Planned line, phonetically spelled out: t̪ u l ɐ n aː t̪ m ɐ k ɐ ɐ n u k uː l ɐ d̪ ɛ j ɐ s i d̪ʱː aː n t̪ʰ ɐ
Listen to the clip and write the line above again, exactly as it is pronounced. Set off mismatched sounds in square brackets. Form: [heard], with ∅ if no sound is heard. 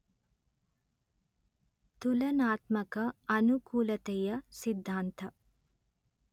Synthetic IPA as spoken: t̪ u l ɐ n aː t̪ m ɐ k ɐ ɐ n u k uː l ɐ [t̪] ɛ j ɐ s i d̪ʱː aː n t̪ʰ ɐ